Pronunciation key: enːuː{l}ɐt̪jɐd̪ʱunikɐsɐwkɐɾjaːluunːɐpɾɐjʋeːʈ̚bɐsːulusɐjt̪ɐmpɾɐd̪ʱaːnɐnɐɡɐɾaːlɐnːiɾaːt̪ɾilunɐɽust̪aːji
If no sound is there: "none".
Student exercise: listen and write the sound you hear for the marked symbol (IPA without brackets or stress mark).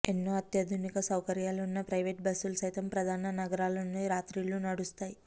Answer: none